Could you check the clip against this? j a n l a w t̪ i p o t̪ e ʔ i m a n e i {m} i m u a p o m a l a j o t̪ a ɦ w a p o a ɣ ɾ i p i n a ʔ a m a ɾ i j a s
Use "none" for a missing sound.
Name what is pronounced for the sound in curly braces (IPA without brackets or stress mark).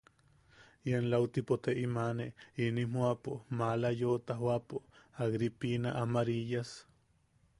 n